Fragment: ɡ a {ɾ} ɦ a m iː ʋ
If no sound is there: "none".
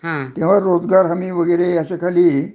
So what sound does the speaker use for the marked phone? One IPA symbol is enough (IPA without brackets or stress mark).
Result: ɾ